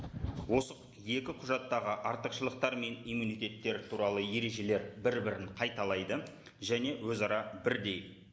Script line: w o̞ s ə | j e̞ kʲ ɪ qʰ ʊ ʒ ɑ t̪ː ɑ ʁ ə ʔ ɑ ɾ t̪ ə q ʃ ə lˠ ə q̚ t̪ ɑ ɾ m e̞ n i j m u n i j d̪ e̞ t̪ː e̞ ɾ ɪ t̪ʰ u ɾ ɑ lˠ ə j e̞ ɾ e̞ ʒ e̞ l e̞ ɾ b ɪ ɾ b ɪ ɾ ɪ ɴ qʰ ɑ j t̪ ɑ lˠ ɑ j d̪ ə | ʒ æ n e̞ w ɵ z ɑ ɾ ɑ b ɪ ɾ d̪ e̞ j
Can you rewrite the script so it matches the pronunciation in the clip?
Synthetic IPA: w o̞ s ə | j e̞ kʲ ɪ qʰ ʊ ʒ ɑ t̪ː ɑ ʁ ə ʔ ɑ ɾ t̪ ə q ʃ ə lˠ ə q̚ t̪ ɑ ɾ m e̞ n i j m u n i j t̪ e̞ t̪ː e̞ ɾ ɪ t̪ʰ u ɾ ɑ lˠ ə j e̞ ɾ e̞ ʒ e̞ l e̞ ɾ b ɪ ɾ b ɪ ɾ ɪ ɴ qʰ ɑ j t̪ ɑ lˠ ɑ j d̪ ə | ʒ æ n e̞ w ɵ z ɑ ɾ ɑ b ɪ ɾ d̪ e̞ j